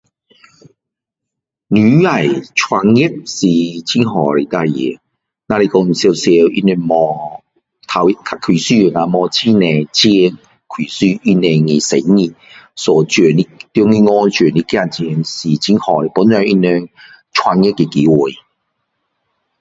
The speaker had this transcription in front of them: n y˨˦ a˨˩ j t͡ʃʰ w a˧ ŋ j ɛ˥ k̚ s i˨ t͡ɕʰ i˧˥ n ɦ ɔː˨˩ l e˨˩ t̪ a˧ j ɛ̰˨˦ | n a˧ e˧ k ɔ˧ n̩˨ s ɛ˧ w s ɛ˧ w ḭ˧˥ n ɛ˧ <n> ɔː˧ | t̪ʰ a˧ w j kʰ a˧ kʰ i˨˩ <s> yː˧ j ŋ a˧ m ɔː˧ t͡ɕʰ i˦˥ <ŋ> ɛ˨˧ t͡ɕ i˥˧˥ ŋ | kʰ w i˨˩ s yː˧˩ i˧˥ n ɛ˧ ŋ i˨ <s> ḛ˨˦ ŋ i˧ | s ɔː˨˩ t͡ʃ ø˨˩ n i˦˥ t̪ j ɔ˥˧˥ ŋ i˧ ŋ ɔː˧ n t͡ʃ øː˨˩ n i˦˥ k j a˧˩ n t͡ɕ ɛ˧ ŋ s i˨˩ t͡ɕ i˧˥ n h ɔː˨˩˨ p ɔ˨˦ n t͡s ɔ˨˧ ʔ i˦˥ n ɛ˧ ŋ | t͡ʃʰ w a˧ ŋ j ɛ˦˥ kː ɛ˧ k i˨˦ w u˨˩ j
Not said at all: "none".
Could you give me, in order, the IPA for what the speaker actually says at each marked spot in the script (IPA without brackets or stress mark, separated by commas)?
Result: m, s, n, s